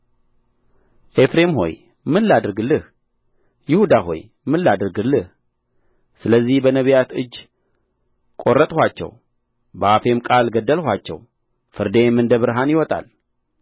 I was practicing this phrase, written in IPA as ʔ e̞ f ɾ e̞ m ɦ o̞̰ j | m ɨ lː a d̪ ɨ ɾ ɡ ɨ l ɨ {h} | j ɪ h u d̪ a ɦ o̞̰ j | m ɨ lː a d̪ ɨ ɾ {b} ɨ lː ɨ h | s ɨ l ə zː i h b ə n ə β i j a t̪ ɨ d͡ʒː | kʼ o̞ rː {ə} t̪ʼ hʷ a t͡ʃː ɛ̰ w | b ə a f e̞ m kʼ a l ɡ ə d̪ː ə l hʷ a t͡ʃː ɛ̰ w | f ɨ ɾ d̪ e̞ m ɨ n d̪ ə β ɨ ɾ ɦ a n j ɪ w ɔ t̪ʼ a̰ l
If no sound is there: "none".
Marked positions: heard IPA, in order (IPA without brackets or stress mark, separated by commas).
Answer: h, ɡ, ə